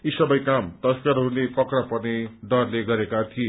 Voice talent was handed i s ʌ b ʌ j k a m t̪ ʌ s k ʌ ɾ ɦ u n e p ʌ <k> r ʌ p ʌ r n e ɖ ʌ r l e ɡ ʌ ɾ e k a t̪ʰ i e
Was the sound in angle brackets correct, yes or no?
yes